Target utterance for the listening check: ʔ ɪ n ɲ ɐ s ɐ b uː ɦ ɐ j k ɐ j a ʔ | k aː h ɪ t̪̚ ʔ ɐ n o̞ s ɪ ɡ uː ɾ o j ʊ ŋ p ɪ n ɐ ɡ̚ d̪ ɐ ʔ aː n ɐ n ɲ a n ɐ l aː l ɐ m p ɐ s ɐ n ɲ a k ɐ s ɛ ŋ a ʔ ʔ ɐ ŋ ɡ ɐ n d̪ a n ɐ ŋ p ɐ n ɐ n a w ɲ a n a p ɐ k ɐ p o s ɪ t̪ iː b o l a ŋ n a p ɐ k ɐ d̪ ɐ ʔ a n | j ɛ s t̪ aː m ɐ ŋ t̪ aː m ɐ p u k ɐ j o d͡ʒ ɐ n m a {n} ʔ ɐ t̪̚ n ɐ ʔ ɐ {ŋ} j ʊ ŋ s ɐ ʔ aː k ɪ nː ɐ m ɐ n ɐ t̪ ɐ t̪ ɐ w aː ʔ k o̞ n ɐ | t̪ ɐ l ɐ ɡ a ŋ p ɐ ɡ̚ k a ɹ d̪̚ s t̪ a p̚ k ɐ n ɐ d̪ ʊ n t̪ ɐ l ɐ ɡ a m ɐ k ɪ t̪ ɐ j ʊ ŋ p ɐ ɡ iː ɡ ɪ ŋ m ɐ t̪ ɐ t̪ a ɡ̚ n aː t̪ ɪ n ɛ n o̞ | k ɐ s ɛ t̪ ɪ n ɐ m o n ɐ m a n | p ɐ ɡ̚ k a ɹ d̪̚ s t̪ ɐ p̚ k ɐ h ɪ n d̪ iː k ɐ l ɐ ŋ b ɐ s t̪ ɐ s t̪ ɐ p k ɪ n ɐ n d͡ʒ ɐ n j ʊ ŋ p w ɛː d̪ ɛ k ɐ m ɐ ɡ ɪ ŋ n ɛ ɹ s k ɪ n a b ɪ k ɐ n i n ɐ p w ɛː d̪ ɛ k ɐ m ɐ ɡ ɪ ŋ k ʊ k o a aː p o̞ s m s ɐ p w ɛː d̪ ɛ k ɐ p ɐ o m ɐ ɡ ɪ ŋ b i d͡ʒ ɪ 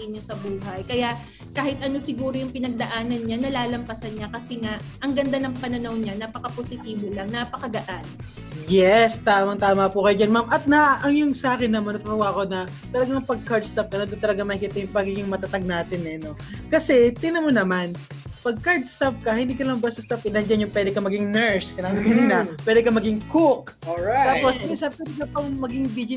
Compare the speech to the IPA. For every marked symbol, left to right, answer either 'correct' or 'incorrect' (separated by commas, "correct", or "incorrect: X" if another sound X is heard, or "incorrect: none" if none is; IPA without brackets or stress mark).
incorrect: m, correct